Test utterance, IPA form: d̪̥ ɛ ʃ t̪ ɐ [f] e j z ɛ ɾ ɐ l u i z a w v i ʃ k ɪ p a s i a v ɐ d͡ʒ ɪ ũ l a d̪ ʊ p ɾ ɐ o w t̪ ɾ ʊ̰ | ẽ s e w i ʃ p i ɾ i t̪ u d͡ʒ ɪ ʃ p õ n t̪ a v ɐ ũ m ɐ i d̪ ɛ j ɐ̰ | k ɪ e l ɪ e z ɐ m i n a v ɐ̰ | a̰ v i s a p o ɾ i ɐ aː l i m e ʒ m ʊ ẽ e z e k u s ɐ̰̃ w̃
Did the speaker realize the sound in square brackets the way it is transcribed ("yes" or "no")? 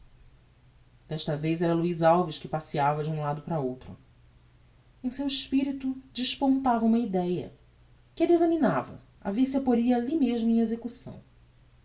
no